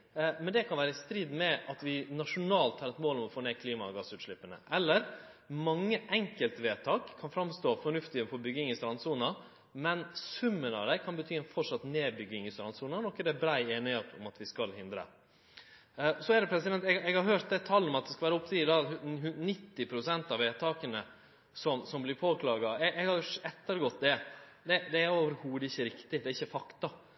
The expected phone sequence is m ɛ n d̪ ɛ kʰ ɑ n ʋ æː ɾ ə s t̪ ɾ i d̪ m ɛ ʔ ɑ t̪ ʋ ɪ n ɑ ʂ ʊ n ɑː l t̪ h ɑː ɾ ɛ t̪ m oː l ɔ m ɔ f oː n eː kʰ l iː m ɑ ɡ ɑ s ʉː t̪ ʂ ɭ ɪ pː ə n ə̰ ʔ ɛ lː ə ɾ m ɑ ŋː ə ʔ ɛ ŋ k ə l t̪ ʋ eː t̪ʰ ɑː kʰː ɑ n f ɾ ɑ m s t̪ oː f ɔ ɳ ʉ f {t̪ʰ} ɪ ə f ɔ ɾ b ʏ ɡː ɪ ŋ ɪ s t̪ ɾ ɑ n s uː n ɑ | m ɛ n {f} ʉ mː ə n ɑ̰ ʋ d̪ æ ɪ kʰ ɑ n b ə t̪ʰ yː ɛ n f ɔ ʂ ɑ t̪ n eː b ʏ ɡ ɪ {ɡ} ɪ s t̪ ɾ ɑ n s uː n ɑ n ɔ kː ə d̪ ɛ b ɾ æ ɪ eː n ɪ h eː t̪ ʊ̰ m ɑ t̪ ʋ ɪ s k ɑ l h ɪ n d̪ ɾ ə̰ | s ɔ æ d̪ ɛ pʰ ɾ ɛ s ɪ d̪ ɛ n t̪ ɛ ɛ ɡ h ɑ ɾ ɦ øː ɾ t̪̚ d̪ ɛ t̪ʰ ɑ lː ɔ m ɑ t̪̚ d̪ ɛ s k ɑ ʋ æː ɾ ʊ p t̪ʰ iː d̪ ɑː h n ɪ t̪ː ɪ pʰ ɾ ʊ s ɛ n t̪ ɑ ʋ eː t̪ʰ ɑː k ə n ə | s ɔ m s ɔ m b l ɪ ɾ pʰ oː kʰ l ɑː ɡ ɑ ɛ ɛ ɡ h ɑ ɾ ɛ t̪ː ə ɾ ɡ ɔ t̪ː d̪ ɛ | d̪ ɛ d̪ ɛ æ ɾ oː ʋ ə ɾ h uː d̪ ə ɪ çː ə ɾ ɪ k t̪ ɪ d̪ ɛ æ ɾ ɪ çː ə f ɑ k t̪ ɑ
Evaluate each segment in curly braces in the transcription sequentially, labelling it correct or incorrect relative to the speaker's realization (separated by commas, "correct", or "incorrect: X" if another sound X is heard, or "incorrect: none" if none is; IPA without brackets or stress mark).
incorrect: t̪, incorrect: s, incorrect: ŋ